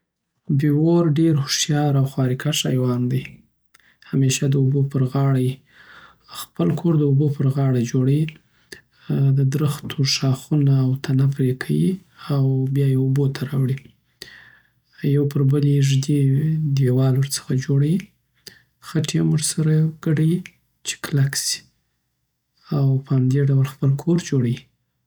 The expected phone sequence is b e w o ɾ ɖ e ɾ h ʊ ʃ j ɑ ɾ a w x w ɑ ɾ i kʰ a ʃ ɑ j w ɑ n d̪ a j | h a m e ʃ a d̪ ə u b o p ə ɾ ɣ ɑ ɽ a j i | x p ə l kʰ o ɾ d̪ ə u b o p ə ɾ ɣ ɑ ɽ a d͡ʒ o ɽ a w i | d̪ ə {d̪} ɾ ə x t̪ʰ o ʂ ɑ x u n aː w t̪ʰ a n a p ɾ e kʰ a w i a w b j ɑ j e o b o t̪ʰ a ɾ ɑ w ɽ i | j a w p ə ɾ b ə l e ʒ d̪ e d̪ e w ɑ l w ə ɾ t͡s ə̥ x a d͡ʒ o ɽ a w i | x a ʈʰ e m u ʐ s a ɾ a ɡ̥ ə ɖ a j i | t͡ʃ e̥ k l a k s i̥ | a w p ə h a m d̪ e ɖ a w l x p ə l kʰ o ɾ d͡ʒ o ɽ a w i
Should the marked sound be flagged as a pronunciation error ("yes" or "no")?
no